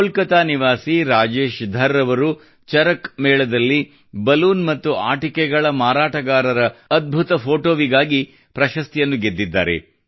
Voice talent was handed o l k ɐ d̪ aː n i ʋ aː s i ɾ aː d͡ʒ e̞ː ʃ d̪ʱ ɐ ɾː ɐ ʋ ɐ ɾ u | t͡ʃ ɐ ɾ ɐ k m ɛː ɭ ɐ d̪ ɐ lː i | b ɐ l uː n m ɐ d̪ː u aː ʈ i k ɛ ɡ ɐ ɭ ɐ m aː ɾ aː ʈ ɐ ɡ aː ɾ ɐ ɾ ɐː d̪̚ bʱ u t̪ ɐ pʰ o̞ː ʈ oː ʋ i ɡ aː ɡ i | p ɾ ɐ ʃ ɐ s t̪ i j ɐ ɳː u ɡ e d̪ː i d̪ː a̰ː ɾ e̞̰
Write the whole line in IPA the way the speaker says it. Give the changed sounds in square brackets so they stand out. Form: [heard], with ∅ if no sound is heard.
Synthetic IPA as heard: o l k ɐ [t̪] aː n i ʋ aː s i ɾ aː d͡ʒ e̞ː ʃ d̪ʱ ɐ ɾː ɐ ʋ ɐ ɾ u | t͡ʃ ɐ ɾ ɐ k m ɛː ɭ ɐ d̪ ɐ lː i | b ɐ l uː n m ɐ [t̪ː] u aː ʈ i k ɛ ɡ ɐ ɭ ɐ m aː ɾ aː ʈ ɐ ɡ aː ɾ ɐ ɾ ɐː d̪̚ bʱ u t̪ ɐ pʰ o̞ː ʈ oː ʋ i ɡ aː ɡ i | p ɾ ɐ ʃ ɐ s t̪ i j ɐ [nː] u ɡ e d̪ː i d̪ː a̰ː ɾ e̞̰